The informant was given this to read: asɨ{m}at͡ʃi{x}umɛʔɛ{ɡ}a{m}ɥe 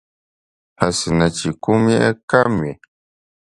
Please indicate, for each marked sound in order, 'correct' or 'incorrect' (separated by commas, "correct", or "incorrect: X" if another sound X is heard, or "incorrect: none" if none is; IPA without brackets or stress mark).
incorrect: n, incorrect: k, incorrect: k, correct